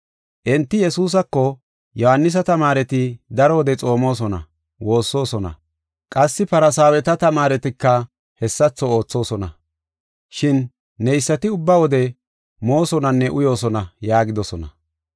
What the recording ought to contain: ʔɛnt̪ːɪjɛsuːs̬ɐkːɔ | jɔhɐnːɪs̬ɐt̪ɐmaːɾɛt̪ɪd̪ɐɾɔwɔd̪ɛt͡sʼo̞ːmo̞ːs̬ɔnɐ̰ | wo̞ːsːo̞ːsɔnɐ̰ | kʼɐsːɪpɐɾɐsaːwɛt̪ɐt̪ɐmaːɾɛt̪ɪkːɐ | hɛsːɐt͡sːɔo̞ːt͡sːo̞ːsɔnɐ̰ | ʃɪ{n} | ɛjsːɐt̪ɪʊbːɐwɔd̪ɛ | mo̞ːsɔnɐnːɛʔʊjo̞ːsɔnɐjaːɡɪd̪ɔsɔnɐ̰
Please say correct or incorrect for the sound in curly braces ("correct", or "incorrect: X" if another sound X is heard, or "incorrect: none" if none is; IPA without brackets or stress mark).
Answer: incorrect: nː